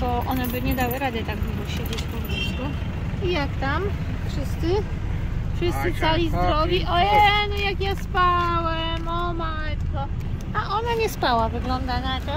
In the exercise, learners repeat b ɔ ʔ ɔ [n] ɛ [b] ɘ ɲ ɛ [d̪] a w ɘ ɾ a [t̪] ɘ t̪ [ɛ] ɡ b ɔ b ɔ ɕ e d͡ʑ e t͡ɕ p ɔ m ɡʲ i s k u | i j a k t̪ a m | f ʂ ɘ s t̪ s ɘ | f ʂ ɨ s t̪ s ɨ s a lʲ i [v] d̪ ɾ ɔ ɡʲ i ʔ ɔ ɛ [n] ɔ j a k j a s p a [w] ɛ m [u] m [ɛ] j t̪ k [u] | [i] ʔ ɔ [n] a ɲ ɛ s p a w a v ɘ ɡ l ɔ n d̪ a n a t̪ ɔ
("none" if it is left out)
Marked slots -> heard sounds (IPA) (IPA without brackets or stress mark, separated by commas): n, b, d̪, d̪, a, z, n, w, ɔ, a, ɔ, a, n